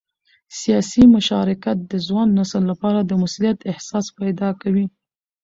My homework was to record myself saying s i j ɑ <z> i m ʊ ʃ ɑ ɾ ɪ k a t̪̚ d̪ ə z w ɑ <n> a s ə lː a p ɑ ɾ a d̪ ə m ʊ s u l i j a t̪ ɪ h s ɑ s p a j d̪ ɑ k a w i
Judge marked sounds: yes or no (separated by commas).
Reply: no, no